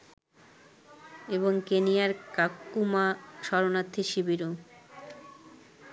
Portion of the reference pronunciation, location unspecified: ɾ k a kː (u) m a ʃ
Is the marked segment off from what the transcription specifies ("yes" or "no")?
no